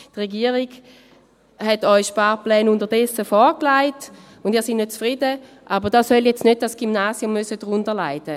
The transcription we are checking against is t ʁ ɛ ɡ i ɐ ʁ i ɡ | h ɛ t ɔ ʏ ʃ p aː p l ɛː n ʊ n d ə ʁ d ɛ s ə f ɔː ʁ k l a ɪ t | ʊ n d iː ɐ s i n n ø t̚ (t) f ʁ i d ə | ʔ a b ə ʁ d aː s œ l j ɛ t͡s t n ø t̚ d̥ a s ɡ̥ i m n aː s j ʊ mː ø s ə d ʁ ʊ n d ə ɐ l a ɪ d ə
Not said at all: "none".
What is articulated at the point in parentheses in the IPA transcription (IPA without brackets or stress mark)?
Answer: t͡s